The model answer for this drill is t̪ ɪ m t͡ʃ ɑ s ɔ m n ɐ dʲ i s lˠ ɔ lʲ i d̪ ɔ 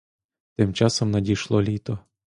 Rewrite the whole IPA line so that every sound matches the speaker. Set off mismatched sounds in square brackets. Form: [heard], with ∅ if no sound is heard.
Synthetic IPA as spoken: t̪ ɪ m t͡ʃ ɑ s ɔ m n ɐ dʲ i [ʃ] lˠ ɔ lʲ i [t̪] ɔ